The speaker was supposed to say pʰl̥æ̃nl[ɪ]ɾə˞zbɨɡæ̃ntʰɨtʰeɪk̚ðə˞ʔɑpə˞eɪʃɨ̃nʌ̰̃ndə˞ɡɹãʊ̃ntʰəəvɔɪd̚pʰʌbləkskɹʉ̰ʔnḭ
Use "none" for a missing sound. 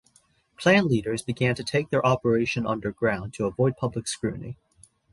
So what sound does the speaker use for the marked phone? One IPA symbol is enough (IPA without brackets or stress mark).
i